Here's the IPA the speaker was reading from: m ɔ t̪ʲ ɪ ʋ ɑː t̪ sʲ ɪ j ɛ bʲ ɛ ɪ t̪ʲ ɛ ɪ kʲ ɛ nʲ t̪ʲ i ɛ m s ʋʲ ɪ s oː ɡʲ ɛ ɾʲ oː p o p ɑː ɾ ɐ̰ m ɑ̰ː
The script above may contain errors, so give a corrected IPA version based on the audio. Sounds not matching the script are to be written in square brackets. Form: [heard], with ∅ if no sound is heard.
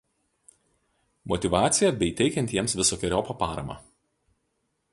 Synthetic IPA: m ɔ t̪ʲ ɪ ʋ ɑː t̪ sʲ ɪ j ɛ bʲ ɛ ɪ t̪ʲ ɛ ɪ kʲ ɛ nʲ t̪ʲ i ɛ m s ʋʲ ɪ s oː [kʲ] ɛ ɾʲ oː p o p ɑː ɾ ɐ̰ m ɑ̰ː